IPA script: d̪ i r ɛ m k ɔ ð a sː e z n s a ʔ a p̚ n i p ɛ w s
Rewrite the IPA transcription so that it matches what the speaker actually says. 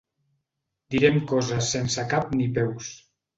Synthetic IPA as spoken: d̪ i ɾ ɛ m k ɔ z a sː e n s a k a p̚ n i p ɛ w s